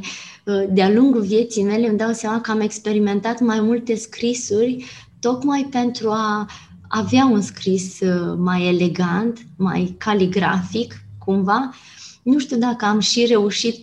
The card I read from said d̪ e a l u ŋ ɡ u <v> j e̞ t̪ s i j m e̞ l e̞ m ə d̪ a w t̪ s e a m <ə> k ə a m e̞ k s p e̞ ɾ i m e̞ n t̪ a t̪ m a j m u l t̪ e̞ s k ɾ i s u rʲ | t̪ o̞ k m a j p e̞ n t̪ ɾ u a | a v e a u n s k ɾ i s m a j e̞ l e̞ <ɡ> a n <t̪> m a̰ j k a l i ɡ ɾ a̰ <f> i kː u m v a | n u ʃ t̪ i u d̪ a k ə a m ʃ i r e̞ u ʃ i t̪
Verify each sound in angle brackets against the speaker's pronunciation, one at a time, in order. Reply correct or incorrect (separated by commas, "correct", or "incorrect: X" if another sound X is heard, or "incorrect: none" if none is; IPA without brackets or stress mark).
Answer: correct, incorrect: a, correct, correct, correct